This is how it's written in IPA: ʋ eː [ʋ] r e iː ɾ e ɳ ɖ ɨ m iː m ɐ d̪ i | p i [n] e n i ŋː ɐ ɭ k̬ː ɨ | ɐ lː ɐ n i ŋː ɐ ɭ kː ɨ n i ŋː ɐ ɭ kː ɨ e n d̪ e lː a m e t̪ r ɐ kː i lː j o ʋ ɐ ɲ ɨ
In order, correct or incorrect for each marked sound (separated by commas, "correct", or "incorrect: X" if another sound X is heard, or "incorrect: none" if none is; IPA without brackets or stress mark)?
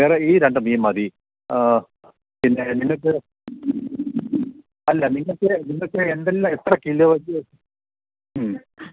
incorrect: none, incorrect: nː